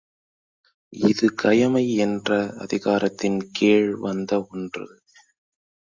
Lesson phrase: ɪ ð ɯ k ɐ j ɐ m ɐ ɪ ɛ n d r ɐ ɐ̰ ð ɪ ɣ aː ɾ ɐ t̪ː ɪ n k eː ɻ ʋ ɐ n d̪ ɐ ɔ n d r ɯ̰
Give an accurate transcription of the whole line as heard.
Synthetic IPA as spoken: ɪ ð ɯ k ɐ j ɐ m ɐ ɪ ɛ n d r ɐ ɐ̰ ð ɪ ɣ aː ɾ ɐ t̪ː ɪ n k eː ɻ ʋ ɐ n d̪ ɐ ɔ n d r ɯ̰